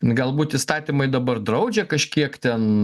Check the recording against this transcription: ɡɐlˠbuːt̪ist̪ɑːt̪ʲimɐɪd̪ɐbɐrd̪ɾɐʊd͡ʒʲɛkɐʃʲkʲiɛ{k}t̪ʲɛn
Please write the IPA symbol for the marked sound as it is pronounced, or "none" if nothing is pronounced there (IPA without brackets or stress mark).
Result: k